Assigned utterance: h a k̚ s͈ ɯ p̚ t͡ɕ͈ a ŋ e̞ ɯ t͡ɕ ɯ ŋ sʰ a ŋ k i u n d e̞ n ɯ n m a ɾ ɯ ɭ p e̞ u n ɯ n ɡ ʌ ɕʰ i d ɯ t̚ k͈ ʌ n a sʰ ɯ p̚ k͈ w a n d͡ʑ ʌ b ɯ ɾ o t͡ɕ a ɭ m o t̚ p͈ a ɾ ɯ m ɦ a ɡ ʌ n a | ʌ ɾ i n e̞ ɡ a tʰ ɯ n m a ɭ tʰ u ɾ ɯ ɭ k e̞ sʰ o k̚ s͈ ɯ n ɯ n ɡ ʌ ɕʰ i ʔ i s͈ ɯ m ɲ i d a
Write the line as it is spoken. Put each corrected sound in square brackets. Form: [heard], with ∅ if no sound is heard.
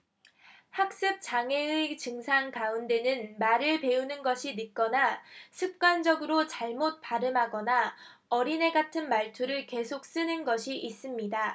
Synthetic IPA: h a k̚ s͈ ɯ p̚ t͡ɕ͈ a ŋ e̞ ɯ t͡ɕ ɯ ŋ sʰ a ŋ k [a] u n d e̞ n ɯ n m a ɾ ɯ ɭ p e̞ u n ɯ n ɡ ʌ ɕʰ i [n] ɯ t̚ k͈ ʌ n a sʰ ɯ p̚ k͈ w a n d͡ʑ ʌ [ɡ] ɯ ɾ o t͡ɕ a ɭ m o t̚ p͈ a ɾ ɯ m ɦ a ɡ ʌ n a | ʌ ɾ i n e̞ ɡ a tʰ ɯ n m a ɭ tʰ u ɾ ɯ ɭ k e̞ sʰ o k̚ s͈ ɯ n ɯ n ɡ ʌ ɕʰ i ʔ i s͈ ɯ m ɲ i d a